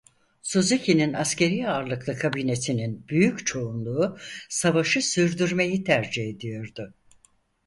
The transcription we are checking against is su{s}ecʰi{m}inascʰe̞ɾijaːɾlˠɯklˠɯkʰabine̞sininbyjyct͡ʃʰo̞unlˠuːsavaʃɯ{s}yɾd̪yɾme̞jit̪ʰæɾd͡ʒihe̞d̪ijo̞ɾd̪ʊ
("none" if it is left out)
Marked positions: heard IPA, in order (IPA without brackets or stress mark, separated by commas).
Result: z, n, s